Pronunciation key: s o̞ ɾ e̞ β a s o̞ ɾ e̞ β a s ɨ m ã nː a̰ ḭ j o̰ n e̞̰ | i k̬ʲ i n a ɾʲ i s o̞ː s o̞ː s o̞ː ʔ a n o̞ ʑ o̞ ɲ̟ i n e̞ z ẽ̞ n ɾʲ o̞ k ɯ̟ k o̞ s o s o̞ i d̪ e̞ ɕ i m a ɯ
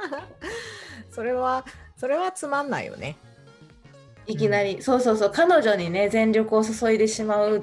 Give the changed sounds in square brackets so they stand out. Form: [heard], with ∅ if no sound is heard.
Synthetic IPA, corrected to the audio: s o̞ ɾ e̞ β a s o̞ ɾ e̞ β a [t͡s] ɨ m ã nː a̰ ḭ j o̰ n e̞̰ | i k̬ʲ i n a ɾʲ i s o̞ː s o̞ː s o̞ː [k] a n o̞ ʑ o̞ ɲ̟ i n e̞ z ẽ̞ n ɾʲ o̞ k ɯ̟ [∅] o̞ s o s o̞ i d̪ e̞ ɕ i m a ɯ